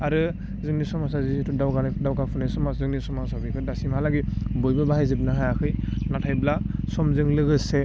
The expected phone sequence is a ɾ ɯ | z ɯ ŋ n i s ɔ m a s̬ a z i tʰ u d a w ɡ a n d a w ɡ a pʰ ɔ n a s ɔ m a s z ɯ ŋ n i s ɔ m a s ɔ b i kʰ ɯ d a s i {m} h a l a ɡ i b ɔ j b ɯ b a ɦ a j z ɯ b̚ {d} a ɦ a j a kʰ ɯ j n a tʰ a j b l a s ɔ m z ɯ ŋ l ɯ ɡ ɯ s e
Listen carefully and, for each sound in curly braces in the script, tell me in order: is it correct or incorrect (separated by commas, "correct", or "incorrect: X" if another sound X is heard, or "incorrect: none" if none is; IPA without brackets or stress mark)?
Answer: correct, incorrect: n